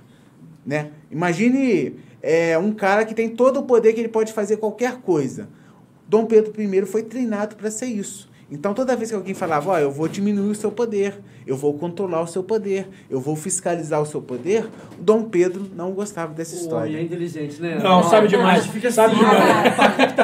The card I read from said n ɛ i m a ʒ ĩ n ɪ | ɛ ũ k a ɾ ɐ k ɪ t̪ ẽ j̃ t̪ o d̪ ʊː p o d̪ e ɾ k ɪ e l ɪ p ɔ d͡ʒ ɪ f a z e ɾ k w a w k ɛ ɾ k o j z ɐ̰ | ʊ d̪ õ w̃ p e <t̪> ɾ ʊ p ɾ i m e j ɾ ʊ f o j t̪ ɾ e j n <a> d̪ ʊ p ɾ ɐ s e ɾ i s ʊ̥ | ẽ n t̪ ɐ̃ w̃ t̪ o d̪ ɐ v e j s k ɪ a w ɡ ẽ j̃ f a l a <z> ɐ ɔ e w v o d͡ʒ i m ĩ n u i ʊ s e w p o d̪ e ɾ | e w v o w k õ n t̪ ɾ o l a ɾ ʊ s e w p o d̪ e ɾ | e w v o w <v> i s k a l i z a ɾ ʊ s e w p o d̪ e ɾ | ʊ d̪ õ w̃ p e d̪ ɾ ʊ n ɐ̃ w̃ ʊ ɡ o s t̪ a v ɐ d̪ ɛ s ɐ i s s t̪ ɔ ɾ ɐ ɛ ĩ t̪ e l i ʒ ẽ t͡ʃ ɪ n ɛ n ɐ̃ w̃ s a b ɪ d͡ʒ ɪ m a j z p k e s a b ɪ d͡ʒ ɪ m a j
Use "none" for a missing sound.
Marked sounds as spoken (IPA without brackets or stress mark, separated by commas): d̪, a, v, f